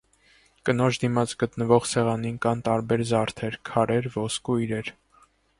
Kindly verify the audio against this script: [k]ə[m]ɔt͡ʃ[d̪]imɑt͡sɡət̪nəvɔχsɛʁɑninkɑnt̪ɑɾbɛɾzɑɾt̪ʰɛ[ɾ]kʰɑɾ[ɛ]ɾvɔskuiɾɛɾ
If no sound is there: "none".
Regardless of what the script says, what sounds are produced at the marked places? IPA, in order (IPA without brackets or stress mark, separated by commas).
k, n, d̪, ɾ, ɛ